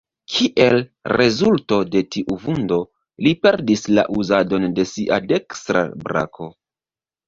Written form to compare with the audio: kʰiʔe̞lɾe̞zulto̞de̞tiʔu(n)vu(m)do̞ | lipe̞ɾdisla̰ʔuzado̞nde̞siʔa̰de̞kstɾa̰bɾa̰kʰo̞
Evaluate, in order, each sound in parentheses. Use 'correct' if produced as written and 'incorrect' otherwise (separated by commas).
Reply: incorrect, incorrect